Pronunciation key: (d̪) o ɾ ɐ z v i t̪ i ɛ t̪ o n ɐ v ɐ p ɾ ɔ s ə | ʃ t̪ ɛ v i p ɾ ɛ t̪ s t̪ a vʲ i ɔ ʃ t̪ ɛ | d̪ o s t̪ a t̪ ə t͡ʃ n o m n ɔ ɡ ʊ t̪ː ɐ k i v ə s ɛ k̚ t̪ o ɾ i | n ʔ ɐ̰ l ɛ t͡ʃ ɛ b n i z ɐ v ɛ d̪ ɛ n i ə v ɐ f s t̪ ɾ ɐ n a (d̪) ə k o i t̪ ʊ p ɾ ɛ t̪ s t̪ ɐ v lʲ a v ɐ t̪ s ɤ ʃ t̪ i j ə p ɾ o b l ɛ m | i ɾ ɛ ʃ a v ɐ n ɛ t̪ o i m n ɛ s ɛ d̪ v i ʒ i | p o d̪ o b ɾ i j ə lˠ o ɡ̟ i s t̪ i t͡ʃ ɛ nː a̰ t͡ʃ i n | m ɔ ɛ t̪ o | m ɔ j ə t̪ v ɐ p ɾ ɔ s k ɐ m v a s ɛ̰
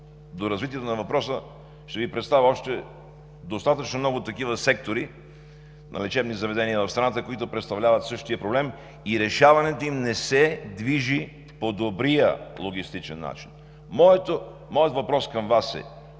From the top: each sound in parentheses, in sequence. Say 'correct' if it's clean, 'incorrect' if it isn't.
correct, incorrect: t̪

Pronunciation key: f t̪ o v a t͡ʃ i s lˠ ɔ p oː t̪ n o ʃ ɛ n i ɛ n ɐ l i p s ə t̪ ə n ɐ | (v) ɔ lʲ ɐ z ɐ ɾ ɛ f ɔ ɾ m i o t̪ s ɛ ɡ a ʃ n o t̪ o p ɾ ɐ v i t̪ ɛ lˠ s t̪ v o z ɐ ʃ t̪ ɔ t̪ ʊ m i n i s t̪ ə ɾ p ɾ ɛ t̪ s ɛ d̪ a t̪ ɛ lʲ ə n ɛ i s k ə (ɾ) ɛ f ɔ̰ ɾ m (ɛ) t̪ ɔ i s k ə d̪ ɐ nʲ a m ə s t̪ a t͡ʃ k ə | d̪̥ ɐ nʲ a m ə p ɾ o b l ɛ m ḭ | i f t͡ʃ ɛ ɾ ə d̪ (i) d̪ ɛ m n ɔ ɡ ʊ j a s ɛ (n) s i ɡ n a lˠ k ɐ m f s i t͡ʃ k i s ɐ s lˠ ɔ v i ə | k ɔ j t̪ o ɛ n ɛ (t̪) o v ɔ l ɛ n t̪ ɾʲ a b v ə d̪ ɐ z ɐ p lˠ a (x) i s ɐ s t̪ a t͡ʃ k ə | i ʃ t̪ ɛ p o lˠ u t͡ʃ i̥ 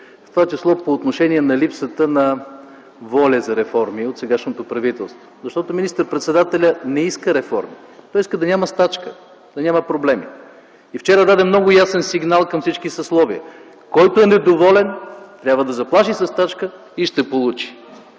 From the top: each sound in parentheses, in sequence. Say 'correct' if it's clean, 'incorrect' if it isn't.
correct, correct, incorrect: i, incorrect: a, correct, incorrect: d̪, incorrect: ʃ

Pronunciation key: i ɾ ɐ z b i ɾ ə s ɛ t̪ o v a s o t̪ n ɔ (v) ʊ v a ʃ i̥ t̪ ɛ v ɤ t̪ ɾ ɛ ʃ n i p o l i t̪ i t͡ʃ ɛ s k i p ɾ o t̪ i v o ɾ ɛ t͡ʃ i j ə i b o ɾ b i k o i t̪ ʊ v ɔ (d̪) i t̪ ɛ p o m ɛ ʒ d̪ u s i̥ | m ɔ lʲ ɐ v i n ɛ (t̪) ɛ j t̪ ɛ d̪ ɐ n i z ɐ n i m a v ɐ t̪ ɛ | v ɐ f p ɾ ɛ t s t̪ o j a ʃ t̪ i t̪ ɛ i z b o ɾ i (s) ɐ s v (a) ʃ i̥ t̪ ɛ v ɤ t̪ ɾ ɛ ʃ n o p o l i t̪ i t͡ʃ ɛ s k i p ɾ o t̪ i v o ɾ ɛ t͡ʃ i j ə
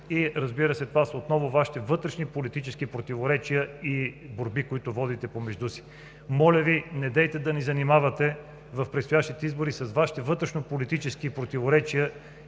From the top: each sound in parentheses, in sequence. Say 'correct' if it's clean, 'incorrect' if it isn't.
correct, correct, incorrect: d̪, correct, correct

